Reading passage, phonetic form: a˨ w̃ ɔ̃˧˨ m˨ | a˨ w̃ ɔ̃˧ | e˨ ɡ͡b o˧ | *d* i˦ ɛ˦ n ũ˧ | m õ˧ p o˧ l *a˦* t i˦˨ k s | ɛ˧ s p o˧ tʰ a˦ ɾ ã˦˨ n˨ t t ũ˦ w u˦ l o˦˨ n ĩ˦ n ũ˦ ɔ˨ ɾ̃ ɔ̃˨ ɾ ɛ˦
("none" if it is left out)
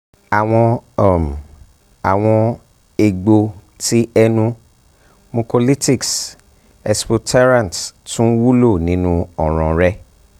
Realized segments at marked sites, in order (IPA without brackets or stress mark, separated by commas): t, i˦